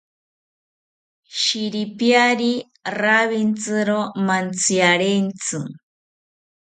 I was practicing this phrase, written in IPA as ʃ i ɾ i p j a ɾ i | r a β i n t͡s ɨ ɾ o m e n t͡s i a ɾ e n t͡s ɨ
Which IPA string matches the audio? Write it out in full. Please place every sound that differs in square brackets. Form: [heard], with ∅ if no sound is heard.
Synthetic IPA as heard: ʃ i ɾ i p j a ɾ i | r a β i n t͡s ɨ ɾ o m [a] n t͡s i a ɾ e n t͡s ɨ